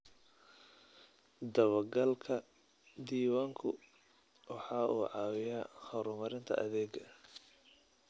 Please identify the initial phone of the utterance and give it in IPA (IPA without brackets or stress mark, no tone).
d̪